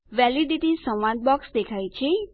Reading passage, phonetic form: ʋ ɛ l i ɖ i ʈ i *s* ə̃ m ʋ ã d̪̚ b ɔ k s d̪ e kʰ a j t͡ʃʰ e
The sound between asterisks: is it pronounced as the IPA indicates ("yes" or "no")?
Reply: yes